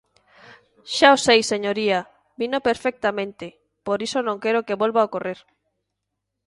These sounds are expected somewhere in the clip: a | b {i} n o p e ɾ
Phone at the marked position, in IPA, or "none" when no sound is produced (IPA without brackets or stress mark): i